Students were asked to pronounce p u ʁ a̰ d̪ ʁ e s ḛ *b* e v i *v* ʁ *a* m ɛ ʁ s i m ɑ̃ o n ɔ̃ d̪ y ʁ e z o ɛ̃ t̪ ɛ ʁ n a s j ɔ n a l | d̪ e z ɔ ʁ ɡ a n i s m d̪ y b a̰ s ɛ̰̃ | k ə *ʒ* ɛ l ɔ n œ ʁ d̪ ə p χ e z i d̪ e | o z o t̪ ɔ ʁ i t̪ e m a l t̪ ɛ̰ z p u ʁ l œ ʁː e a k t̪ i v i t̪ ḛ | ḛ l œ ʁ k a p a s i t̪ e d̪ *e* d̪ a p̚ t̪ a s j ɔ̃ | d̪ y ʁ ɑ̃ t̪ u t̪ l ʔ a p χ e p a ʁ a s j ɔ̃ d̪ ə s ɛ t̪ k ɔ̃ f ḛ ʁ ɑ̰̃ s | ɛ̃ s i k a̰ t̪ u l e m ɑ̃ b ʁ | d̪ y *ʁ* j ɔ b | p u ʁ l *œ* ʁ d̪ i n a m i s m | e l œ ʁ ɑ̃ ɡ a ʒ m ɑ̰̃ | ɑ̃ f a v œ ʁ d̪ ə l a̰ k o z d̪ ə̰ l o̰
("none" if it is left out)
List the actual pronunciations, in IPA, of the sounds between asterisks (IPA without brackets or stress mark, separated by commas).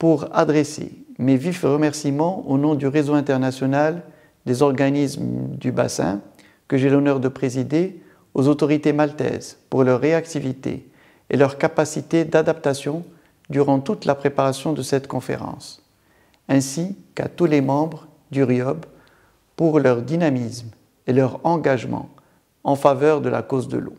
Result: m, f, ə, ʒ, a, ʁ, œ